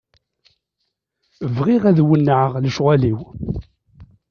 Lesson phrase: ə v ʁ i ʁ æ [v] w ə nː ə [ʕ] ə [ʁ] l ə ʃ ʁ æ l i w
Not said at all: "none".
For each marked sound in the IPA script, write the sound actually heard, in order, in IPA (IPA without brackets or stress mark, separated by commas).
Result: ð, ʕ, ʁ